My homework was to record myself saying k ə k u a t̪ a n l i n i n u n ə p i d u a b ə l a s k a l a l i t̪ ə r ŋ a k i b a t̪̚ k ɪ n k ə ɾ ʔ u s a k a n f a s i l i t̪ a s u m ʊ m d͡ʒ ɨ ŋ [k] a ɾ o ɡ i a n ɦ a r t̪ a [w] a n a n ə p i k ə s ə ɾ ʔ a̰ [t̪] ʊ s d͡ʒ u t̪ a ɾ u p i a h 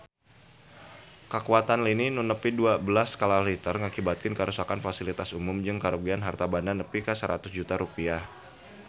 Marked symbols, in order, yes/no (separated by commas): yes, no, yes